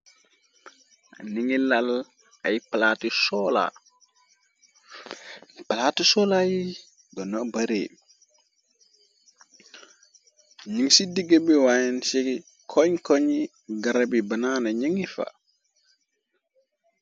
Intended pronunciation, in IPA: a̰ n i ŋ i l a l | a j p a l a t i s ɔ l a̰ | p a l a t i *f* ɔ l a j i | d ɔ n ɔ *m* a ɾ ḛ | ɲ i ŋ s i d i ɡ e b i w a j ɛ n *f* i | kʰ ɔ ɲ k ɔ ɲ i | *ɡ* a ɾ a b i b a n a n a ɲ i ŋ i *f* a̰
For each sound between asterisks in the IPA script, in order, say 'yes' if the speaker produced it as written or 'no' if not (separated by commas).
no, no, no, yes, yes